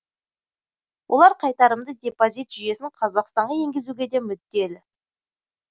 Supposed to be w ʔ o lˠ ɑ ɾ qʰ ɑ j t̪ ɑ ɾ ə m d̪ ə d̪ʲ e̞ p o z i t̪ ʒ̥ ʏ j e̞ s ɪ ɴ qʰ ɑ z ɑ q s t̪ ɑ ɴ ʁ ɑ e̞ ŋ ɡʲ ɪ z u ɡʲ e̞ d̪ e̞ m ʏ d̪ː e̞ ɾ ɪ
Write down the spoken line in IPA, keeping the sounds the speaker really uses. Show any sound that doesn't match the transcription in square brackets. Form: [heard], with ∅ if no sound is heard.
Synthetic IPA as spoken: w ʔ o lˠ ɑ ɾ qʰ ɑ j t̪ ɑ ɾ ə m d̪ ə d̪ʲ e̞ p o z i t̪ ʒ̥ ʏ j e̞ s ɪ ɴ qʰ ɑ z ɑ q s t̪ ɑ ɴ ʁ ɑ e̞ ŋ ɡʲ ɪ z u ɡʲ e̞ d̪ e̞ m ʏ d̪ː e̞ [l] ɪ